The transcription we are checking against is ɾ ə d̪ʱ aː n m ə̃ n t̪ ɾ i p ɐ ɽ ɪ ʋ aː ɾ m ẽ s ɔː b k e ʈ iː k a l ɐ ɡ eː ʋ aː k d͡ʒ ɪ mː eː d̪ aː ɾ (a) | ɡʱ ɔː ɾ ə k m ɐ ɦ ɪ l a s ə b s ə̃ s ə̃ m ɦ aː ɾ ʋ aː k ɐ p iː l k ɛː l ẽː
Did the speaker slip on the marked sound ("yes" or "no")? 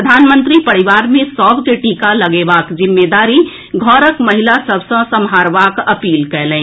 yes